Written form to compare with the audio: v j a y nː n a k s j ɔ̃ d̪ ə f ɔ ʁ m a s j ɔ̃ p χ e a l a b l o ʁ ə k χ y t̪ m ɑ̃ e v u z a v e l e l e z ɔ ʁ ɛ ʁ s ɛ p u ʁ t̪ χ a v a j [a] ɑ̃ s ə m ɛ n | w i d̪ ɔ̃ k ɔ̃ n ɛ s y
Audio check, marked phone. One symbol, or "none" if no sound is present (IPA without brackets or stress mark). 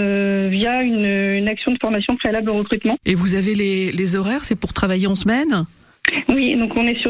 e